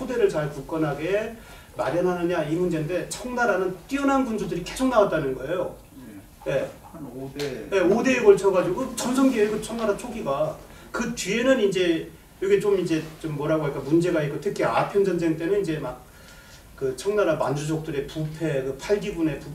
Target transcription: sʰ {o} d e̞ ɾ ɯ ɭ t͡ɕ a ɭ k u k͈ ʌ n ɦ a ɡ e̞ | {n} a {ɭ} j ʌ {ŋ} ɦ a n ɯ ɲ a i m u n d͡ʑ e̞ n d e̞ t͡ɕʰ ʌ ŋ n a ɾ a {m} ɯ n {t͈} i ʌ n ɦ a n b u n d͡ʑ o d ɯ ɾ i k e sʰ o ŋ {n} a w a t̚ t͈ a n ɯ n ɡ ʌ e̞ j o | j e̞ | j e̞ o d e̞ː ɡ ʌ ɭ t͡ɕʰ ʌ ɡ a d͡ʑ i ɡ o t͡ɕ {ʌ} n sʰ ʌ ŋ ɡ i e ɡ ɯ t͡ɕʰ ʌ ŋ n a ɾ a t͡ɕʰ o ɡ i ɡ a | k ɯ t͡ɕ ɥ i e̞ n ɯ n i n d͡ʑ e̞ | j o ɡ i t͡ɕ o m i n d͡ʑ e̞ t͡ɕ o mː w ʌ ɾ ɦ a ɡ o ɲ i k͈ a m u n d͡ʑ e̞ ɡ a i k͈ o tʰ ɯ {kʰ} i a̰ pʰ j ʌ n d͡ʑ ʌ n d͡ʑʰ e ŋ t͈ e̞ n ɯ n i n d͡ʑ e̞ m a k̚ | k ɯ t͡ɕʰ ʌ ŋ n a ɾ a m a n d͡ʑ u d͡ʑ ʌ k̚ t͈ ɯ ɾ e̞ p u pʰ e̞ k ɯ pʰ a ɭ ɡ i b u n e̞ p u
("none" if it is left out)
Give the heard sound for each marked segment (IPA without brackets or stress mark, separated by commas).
o, m, ɾ, n, n, t͈, n, ʌ, kʰ